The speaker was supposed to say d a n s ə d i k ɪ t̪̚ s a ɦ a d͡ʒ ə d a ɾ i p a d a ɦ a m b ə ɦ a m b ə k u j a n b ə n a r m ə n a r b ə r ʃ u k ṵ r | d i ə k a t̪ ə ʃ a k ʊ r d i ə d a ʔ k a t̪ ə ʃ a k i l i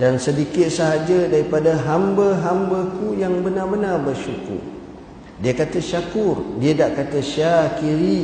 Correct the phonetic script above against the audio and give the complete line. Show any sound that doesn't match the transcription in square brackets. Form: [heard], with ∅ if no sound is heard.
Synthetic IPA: d a n s ə d i k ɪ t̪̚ s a ɦ a d͡ʒ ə d a ɾ i p a d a ɦ a m b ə ɦ a m b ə k u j a [ŋ] b ə n a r [b] ə n a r b ə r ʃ u k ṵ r | d i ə k a t̪ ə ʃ a k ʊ r d i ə d a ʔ k a t̪ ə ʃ a k i [ɾ] i